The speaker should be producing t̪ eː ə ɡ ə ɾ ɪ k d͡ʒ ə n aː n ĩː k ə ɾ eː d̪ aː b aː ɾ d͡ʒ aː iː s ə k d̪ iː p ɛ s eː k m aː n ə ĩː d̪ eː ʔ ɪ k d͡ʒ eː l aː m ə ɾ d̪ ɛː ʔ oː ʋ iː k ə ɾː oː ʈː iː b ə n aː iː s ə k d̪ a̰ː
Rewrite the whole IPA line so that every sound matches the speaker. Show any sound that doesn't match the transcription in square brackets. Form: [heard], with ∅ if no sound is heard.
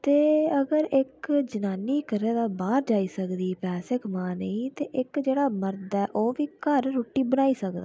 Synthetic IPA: t̪ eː ə ɡ ə ɾ ɪ k d͡ʒ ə n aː n [iː] k ə ɾ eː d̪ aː b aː ɾ d͡ʒ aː iː s ə k d̪ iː p [ɛː] s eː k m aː n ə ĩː [t̪] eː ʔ ɪ k d͡ʒ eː [ɽ] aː m ə ɾ d̪ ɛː ʔ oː ʋ iː k ə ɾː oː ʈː iː b ə n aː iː s ə k d̪ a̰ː